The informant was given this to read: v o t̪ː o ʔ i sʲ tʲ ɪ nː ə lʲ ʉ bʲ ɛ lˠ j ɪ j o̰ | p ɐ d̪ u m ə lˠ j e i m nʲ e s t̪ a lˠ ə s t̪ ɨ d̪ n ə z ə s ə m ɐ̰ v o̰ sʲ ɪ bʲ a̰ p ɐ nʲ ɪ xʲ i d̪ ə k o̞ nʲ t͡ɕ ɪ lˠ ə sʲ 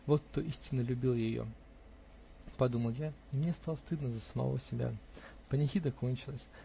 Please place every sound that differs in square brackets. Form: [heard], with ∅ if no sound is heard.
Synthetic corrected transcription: v o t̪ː o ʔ i sʲ tʲ ɪ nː ə lʲ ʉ bʲ [i] lˠ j ɪ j o̰ | p ɐ d̪ u m ə lˠ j [a] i m nʲ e s t̪ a lˠ ə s t̪ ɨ d̪ n ə z ə s ə m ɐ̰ v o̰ sʲ ɪ bʲ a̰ p [ə] nʲ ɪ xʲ i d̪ ə k o̞ nʲ t͡ɕ ɪ lˠ ə sʲ